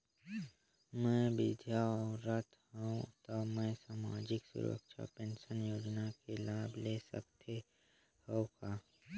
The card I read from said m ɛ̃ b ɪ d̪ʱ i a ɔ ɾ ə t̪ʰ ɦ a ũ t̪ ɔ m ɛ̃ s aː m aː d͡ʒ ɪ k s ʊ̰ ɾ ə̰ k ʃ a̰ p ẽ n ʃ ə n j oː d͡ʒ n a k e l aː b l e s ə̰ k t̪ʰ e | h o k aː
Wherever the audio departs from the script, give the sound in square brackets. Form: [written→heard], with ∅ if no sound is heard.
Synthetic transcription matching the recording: m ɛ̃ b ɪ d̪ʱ [i→j] a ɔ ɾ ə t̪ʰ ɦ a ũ t̪ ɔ m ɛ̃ s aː m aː d͡ʒ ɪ k s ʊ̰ ɾ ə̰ k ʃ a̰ p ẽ n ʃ ə n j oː d͡ʒ n a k e l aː b l e s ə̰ k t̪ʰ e | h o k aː